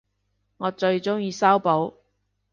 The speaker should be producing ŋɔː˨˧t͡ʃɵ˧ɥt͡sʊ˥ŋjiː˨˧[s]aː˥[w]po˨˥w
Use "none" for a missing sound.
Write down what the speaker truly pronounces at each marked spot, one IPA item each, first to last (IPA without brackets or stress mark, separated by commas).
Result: s, w